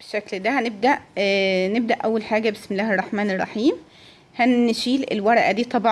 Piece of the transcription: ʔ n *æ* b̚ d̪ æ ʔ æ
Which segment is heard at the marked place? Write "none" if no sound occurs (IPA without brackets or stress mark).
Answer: e